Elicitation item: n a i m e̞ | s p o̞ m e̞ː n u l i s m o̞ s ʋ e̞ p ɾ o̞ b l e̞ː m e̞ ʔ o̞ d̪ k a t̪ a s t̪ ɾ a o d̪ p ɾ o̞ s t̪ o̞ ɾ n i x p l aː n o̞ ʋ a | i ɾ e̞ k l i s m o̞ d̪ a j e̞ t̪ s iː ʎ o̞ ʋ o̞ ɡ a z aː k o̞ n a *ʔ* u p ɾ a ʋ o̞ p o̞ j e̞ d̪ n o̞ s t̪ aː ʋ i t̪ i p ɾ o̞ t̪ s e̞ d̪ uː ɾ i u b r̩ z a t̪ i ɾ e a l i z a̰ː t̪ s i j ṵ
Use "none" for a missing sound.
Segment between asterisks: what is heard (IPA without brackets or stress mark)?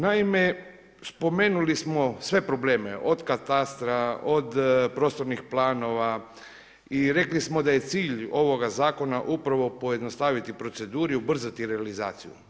ʔ